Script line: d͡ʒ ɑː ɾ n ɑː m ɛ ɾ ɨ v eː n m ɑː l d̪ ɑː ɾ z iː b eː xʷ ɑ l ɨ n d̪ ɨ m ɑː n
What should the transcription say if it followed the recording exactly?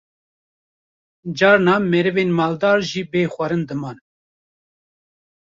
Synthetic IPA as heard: d͡ʒ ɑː ɾ n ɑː m ɛ ɾ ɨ v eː n m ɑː l d̪ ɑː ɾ ʒ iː b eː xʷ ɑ ɾ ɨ n d̪ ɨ m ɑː n